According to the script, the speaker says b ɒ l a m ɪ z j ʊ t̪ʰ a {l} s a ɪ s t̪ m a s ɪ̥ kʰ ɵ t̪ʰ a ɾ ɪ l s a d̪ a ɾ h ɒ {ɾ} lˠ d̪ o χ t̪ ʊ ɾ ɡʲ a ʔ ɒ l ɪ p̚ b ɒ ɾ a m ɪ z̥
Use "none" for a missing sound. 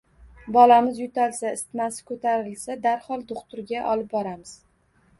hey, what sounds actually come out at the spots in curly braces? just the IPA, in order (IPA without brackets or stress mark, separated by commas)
l, none